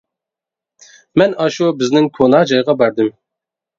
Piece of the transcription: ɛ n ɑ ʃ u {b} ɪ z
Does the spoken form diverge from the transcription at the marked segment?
no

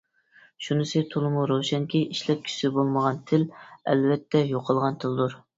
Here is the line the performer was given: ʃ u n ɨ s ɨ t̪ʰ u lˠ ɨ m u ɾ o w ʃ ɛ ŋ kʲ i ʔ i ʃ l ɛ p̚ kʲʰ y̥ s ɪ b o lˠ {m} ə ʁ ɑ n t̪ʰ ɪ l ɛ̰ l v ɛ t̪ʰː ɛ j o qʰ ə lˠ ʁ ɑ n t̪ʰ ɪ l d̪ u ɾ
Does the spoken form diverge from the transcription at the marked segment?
no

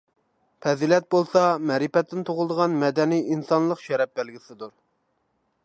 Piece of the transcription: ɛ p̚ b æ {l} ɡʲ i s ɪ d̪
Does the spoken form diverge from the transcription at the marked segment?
no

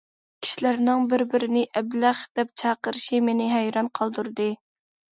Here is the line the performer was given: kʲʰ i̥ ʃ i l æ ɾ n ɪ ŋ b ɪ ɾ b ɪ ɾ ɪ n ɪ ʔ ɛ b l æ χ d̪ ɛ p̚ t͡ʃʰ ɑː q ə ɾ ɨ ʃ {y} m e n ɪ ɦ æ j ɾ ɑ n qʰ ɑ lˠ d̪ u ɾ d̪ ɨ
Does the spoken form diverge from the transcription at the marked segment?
yes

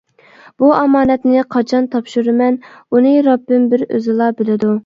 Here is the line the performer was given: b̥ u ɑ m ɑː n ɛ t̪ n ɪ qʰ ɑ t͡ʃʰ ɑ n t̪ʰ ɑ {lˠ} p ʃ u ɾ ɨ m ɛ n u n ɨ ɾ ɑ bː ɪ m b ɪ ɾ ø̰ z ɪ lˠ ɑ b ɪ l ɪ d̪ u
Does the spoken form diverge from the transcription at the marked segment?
yes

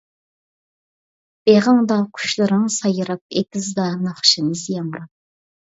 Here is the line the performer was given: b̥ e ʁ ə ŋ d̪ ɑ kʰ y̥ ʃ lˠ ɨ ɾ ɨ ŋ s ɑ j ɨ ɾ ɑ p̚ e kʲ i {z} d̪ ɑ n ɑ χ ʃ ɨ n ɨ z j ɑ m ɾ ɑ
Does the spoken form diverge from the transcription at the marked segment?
no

